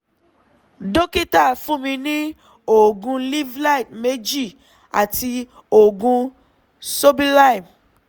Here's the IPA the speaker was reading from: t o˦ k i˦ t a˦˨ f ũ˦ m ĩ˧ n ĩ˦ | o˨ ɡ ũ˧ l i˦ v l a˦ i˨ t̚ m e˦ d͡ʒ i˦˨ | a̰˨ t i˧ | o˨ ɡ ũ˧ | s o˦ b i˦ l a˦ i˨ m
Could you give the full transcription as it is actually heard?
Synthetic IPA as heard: d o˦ k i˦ t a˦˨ f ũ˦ m ĩ˧ n ĩ˦ | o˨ ɡ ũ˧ l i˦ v l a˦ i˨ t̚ m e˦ d͡ʒ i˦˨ | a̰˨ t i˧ | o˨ ɡ ũ˧ | s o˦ b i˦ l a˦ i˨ m